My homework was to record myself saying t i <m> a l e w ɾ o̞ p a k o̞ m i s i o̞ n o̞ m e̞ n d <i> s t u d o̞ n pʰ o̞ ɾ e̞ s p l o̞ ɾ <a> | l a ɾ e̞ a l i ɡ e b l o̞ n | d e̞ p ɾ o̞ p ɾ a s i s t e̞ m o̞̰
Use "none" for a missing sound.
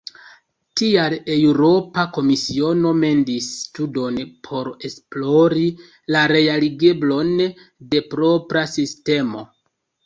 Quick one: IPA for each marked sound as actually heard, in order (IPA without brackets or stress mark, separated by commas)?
none, i, i